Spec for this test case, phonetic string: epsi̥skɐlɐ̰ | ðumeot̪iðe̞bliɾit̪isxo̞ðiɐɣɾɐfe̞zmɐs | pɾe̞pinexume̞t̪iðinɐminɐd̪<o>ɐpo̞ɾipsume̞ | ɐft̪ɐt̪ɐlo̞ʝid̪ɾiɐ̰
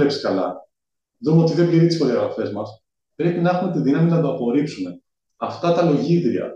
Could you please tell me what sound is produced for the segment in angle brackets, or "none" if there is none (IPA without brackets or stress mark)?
o